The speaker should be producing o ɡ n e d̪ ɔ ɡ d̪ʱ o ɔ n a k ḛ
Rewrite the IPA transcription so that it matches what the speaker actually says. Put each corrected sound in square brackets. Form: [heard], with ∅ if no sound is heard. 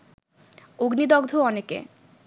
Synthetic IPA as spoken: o ɡ n [i] d̪ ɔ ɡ d̪ʱ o ɔ n [e] k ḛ